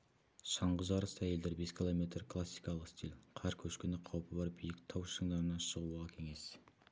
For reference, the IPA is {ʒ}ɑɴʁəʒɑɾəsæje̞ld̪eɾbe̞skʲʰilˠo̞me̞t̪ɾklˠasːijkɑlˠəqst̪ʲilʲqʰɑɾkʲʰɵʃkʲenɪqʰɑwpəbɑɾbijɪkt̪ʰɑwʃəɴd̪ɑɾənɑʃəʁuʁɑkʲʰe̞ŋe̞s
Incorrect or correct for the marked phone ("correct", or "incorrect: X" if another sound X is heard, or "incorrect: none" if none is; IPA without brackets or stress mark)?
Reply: incorrect: ʃ